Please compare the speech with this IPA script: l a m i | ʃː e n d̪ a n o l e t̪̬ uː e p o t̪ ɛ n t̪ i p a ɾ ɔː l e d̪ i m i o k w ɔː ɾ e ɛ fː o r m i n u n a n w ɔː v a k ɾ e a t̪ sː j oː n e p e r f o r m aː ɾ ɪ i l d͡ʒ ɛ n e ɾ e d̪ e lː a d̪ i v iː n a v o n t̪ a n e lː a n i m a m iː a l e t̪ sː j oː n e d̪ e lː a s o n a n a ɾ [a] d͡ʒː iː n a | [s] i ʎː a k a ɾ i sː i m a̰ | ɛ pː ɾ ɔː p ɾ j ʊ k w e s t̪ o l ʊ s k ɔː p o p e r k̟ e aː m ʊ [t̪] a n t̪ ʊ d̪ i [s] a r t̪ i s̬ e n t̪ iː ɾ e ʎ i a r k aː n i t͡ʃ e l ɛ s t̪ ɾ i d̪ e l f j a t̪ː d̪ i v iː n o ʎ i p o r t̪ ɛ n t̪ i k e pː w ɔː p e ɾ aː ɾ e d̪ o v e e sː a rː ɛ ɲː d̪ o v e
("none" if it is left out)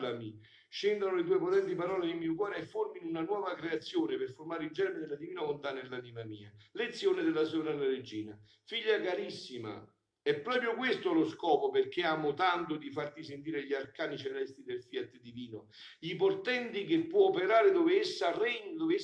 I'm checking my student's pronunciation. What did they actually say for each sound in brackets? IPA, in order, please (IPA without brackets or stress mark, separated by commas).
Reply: e, f, t̪, f